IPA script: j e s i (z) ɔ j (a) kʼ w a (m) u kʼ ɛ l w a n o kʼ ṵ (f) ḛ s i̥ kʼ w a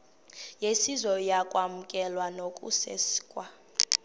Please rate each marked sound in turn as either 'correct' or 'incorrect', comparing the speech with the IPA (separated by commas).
correct, correct, correct, incorrect